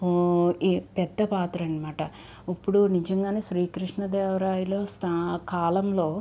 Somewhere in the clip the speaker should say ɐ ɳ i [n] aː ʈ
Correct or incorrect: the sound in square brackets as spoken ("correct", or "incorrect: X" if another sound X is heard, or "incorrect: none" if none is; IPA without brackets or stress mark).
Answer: incorrect: m